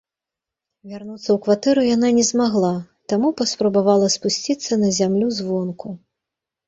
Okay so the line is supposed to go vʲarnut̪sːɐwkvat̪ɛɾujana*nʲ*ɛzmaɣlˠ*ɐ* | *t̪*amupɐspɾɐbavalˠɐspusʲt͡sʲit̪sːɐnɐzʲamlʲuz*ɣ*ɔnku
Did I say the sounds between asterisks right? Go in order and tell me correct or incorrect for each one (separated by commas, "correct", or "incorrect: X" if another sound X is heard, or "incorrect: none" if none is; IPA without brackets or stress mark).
correct, incorrect: a, correct, incorrect: v